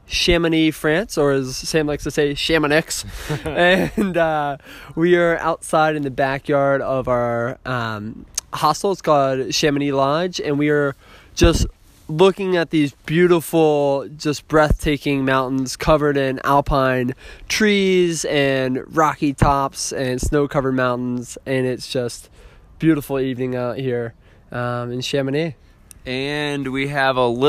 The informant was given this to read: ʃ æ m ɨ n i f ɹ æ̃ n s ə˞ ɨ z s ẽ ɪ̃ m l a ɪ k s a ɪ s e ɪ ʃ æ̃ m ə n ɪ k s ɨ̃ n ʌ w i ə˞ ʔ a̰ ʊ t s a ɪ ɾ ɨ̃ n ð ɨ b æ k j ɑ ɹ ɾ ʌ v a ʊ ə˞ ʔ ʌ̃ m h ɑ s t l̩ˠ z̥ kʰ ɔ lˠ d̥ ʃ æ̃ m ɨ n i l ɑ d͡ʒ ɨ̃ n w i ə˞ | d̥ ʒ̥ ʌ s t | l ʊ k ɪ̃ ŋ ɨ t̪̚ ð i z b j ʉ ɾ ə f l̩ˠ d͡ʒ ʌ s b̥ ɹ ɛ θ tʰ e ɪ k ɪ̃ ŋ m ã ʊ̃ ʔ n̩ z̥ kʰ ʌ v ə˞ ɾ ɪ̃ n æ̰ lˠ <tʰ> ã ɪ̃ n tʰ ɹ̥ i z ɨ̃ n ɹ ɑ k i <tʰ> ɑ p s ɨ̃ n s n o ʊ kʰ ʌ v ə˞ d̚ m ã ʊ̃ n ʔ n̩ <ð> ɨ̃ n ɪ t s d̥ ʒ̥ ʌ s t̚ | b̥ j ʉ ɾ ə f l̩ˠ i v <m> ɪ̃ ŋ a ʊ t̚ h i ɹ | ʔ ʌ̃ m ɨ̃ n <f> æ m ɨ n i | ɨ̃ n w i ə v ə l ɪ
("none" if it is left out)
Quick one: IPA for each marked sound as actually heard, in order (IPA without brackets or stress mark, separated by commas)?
pʰ, tʰ, z, n, ʃ